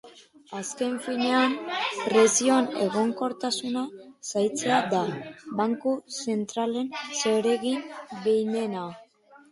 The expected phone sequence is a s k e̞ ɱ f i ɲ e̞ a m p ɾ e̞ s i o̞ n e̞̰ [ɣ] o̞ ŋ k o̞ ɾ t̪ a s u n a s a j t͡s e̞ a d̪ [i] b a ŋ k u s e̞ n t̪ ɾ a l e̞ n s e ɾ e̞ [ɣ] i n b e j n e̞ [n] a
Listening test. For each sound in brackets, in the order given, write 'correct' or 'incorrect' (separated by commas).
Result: correct, incorrect, correct, correct